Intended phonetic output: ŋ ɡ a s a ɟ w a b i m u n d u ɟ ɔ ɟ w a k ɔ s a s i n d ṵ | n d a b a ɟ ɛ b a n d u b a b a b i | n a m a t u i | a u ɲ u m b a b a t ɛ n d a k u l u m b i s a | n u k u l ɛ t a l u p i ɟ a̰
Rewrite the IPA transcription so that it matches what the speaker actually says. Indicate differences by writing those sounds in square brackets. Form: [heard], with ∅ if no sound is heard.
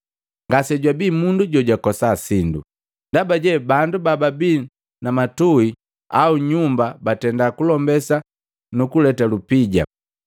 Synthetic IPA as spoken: ŋ ɡ a s [ɛ] ɟ w a b i m u n d u ɟ ɔ ɟ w a k ɔ s a s i n d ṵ | n d a b a ɟ ɛ b a n d u b a b a b i | n a m a t u i | a u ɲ u m b a b a t ɛ n d a k u l [ɔ] m b [ɛ] s a | n u k u l ɛ t a l u p i ɟ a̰